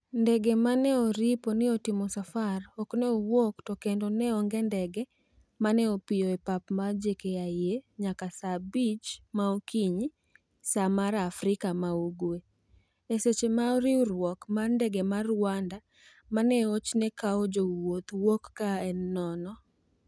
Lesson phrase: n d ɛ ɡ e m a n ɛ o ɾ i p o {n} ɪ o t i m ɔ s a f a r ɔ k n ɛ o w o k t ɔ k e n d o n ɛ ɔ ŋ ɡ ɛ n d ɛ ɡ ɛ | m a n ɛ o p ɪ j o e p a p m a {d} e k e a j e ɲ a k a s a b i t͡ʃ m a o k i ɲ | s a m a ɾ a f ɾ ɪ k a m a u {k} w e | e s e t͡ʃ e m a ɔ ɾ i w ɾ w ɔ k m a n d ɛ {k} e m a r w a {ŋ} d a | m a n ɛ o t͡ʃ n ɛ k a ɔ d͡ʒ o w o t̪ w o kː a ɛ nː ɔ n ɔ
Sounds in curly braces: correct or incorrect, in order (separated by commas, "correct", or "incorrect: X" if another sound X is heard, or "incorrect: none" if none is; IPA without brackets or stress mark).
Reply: correct, incorrect: d͡ʒ, incorrect: ɡ, incorrect: ɡ, incorrect: n